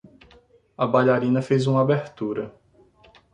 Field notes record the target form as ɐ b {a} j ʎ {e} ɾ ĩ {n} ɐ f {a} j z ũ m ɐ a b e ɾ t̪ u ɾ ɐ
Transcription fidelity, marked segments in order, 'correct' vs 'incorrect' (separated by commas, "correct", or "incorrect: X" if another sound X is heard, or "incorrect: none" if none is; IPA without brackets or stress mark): correct, incorrect: a, correct, incorrect: e